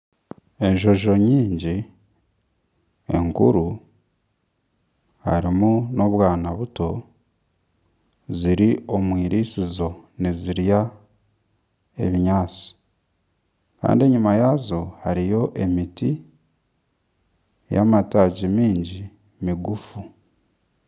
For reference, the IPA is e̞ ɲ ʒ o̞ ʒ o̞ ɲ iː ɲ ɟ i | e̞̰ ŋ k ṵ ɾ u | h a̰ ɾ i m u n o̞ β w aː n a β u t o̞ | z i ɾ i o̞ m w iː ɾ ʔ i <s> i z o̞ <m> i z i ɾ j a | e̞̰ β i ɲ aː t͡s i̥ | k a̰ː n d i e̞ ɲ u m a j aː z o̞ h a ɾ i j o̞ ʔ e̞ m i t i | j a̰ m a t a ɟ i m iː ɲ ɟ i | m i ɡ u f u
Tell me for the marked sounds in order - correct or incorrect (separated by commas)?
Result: correct, incorrect